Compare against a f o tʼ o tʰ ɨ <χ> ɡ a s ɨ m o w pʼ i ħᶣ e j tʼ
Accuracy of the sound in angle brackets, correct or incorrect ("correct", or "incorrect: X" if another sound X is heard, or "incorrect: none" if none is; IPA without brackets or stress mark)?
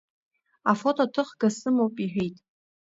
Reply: correct